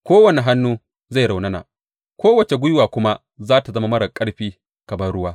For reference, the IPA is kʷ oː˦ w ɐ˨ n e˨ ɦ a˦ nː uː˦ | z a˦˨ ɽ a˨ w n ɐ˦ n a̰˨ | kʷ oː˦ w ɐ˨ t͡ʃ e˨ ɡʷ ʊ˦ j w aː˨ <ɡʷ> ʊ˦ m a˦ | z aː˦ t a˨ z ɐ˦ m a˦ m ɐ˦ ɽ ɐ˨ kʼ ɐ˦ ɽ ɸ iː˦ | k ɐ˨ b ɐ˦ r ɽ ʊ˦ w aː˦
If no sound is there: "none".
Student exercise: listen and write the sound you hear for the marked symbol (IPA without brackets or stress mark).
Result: kʷ